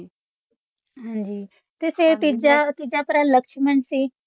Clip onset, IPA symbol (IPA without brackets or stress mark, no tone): ɦ